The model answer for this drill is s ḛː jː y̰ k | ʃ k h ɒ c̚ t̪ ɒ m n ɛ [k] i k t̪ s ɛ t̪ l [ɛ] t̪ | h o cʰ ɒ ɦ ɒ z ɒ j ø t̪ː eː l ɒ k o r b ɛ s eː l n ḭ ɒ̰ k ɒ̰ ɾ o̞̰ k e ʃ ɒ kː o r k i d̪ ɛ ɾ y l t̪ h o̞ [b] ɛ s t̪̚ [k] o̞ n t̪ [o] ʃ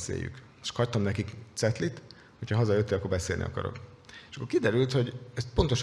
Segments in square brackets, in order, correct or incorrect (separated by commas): correct, incorrect, incorrect, incorrect, correct